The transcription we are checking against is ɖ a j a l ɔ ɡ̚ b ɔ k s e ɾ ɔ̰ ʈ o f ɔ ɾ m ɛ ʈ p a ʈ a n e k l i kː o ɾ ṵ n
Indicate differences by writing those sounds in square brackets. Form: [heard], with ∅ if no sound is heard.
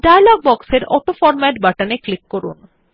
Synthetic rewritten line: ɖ a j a l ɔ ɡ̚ b ɔ k s e ɾ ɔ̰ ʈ o f ɔ ɾ m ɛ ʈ [b] a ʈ a n e k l i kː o ɾ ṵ n